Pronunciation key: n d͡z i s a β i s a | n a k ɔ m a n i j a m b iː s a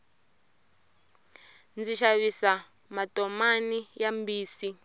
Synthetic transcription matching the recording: n d͡z i ʃ a β i s a | m a t ɔ m a n i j a m b iː s i